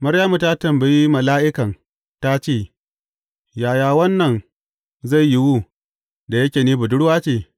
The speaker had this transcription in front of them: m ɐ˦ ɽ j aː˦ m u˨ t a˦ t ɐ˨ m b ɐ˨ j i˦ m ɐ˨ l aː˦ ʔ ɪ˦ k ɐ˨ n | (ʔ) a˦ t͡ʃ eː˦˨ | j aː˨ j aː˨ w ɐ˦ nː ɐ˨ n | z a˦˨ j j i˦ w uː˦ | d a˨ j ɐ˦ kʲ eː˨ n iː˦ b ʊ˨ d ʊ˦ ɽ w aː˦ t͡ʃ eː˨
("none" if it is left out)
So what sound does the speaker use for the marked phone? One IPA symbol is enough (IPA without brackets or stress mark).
t